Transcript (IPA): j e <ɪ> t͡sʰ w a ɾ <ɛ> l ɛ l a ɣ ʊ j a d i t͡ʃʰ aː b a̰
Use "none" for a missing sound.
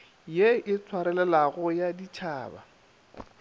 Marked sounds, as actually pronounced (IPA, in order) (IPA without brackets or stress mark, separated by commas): ɪ, ɛ